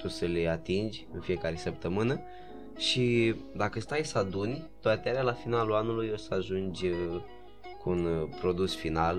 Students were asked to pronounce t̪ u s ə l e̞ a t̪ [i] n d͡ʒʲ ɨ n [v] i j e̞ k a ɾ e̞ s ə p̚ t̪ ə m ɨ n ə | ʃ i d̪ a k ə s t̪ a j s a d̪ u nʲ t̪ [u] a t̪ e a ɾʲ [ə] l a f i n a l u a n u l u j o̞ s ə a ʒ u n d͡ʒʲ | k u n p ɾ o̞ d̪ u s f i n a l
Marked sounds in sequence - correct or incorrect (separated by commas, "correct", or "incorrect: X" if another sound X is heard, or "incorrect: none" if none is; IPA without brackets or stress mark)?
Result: correct, incorrect: f, incorrect: o, incorrect: a